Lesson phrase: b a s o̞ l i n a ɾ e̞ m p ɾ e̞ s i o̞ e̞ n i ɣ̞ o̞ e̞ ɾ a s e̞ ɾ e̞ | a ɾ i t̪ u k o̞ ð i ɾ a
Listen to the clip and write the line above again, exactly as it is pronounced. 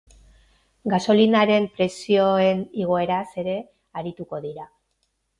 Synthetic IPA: ɡ a s o̞ l i n a ɾ e̞ m p ɾ e̞ s i o̞ e̞ n i ɣ̞ o̞ e̞ ɾ a s e̞ ɾ e̞ | a ɾ i t̪ u k o̞ ð i ɾ a